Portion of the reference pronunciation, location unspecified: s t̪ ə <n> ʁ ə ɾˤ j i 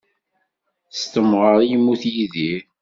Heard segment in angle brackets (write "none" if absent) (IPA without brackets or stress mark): m